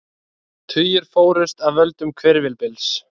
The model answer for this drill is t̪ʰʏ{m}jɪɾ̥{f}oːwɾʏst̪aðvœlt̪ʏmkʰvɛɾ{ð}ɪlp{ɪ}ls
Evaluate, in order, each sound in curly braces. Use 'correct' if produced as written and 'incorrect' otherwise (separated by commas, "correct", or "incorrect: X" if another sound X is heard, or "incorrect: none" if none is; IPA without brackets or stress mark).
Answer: incorrect: none, correct, incorrect: v, correct